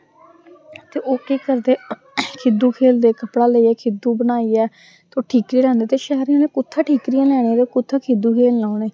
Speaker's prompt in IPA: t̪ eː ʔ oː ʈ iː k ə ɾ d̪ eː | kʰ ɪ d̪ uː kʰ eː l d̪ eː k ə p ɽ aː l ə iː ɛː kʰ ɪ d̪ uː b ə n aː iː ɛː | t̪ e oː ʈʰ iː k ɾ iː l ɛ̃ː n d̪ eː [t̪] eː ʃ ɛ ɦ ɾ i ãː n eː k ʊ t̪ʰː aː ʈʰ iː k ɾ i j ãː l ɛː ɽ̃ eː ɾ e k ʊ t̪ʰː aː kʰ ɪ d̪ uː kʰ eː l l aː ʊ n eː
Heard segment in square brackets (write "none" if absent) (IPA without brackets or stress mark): t̪